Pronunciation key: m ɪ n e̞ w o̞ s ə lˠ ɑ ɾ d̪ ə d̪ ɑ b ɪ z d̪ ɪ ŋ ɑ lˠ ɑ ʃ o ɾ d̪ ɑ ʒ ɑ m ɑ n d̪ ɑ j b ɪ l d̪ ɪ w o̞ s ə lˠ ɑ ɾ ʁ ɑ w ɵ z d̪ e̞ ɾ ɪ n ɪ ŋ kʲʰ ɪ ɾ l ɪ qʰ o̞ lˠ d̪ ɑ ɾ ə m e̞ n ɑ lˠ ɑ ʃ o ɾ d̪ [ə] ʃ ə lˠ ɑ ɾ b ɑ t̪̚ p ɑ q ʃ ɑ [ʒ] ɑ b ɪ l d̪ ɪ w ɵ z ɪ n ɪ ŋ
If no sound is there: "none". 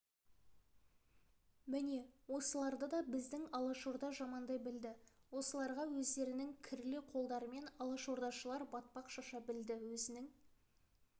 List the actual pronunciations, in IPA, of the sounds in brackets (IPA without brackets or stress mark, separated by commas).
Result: ɑ, ʃ